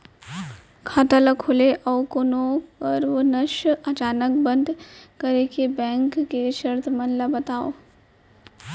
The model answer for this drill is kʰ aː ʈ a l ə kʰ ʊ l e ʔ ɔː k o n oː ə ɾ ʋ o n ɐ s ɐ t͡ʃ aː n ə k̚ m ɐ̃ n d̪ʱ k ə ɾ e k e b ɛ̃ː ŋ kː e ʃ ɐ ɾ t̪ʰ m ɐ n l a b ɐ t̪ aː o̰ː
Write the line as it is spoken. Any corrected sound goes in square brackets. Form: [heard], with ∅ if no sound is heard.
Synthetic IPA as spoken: kʰ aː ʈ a l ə kʰ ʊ l e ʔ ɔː k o n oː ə ɾ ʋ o n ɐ [ʃ] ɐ t͡ʃ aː n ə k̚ [b] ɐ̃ n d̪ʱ k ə ɾ e k e b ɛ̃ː ŋ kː e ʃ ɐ ɾ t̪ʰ m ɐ n l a b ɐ t̪ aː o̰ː